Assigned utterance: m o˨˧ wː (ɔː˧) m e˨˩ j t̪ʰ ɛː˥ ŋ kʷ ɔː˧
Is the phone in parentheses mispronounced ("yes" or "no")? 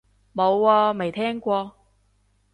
no